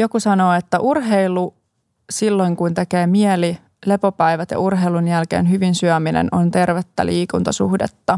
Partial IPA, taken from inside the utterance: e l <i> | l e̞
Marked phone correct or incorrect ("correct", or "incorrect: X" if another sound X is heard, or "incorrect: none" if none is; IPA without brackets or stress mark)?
correct